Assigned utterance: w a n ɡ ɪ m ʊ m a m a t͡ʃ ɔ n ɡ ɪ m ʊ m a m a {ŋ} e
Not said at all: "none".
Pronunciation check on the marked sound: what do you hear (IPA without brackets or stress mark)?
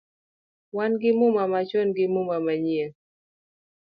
ɲ